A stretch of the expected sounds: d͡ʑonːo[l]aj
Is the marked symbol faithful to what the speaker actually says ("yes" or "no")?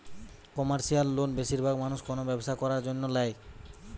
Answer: yes